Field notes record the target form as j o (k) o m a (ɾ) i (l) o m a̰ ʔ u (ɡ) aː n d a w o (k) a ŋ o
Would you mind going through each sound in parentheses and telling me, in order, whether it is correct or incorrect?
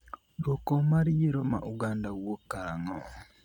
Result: correct, correct, incorrect: ɾ, correct, correct

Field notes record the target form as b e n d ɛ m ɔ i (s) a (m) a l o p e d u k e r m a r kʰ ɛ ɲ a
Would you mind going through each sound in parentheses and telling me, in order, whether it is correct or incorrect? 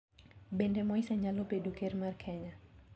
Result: correct, incorrect: ɲ

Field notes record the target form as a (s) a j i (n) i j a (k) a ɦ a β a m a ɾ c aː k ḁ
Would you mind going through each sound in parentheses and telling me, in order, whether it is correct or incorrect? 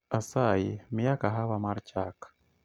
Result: correct, incorrect: m, correct

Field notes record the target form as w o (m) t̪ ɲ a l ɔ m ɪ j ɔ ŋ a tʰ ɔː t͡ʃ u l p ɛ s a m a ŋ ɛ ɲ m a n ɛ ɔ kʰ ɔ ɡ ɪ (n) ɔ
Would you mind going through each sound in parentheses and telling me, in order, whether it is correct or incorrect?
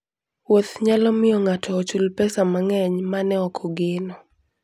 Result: incorrect: none, correct

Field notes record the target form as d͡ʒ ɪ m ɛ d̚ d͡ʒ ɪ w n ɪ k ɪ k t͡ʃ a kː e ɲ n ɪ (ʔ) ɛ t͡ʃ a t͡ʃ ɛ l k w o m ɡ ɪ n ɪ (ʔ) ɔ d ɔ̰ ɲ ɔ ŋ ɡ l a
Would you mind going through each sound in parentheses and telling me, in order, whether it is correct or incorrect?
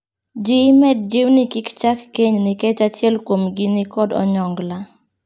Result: incorrect: k, incorrect: k

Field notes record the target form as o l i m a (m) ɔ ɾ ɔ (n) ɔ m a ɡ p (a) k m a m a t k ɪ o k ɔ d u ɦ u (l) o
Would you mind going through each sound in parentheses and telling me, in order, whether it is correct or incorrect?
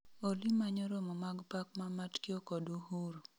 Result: incorrect: ɲ, incorrect: m, correct, incorrect: ɾ

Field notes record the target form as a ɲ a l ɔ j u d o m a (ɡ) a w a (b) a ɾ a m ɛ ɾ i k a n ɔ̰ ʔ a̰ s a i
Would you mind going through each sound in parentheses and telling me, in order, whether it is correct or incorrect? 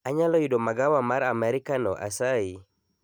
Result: correct, incorrect: m

